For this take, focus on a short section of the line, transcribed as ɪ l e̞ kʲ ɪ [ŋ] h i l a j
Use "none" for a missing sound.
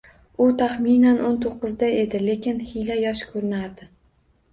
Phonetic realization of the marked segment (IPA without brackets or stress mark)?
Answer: n